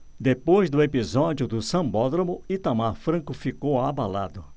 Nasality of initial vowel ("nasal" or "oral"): oral